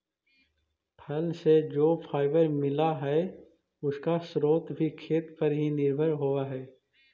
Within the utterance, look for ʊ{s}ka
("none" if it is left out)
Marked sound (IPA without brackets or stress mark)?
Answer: s